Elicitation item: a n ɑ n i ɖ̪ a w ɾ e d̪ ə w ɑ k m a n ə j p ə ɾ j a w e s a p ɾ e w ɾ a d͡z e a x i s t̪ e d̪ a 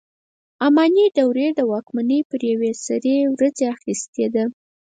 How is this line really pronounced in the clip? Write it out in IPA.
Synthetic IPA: a m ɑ n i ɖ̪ a w ɾ e d̪ ə w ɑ k m a n ə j p ə ɾ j a w e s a ɾ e w ɾ a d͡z e a x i s t̪ e d̪ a

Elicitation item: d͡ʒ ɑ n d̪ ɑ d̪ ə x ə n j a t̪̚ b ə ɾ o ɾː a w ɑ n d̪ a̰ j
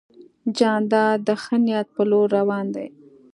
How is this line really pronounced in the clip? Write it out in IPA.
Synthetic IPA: d͡ʒ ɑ n d̪ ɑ d̪ ə x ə n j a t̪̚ p ə l o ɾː a w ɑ n d̪ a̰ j

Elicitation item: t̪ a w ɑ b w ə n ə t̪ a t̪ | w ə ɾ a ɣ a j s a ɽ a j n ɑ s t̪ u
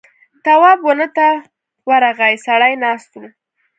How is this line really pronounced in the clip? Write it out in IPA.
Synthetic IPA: t̪ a w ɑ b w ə n ə t̪ a | w a ɾ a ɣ a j s a ɽ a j n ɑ s t̪ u

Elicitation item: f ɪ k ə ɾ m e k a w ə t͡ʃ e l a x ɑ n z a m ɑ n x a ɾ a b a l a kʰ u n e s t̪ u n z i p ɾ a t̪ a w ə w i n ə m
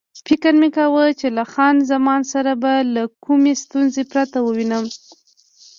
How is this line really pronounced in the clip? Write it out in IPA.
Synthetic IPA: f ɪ k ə ɾ m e k a w ə t͡ʃ e l a x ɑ n z a m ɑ n s a ɾ a b a l a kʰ u m e s t̪ u n z e p ɾ a t̪ a w ə w i n ə m

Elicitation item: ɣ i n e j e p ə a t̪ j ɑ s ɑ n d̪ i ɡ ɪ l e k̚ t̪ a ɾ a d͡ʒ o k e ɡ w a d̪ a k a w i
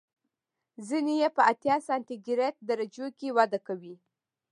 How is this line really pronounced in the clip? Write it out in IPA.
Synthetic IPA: z i n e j e p ə a t̪ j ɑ s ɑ n t̪ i ɡ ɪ ɾ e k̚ d̪ a ɾ a d͡ʒ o k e w a d̪ a k a w i

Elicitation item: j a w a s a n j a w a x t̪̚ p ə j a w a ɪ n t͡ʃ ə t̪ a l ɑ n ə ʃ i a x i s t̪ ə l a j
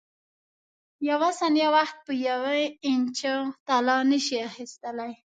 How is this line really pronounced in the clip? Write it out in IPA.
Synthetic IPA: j a w a s a n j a w a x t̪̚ p ə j a w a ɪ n t͡ʃ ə t̪ a l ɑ n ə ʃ i a x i s t̪ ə l a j

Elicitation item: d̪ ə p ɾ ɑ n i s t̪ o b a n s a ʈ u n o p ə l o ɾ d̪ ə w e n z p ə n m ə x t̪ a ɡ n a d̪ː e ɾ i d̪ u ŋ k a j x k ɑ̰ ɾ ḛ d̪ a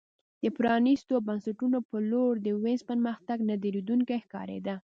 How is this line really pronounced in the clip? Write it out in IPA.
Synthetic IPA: d̪ ə p ɾ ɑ n i s t̪ o b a n s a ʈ u n o p ə l o ɾ d̪ ə w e n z p ə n m ə x t̪ a ɡ n a d̪ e ɾ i d̪ u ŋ k a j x k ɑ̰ ɾ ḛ d̪ a

